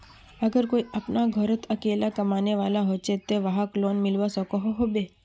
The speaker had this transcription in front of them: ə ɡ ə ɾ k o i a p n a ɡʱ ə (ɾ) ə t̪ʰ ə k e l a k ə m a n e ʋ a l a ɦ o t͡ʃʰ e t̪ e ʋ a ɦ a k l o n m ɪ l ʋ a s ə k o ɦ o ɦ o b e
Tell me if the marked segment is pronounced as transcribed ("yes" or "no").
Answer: yes